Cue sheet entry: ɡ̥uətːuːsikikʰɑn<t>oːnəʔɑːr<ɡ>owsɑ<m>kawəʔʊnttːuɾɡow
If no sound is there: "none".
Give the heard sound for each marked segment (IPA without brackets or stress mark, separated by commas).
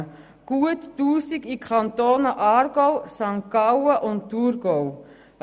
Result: t, ɡ, ŋ